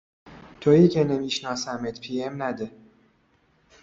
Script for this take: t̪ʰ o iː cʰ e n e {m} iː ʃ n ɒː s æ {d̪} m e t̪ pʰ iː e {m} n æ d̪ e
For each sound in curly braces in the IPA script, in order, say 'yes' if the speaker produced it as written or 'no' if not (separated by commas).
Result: yes, no, yes